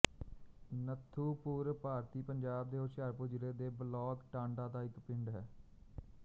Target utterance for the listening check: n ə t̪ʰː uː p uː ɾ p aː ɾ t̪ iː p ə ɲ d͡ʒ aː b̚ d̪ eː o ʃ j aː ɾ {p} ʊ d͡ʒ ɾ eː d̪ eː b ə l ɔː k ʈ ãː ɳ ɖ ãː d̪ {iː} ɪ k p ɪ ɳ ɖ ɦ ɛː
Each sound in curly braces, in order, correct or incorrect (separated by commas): correct, incorrect